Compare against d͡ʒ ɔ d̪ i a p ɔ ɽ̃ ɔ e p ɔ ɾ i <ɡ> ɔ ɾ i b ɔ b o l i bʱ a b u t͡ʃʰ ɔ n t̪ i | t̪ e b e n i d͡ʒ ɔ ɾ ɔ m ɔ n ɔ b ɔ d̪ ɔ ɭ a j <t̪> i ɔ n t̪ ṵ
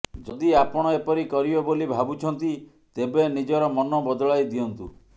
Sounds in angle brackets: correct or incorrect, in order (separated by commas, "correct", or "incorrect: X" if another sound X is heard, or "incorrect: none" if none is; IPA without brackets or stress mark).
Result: incorrect: k, incorrect: d̪